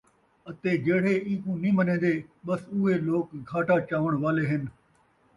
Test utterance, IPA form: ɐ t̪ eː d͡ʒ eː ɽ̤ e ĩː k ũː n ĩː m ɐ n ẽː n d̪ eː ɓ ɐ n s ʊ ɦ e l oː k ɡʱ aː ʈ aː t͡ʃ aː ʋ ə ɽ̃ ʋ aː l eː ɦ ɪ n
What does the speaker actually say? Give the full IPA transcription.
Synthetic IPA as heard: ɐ t̪ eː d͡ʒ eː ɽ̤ e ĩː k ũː n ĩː m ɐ n ẽː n d̪ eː ɓ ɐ s ʊ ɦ e l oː k ɡʱ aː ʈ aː t͡ʃ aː ʋ ə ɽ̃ ʋ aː l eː ɦ ɪ n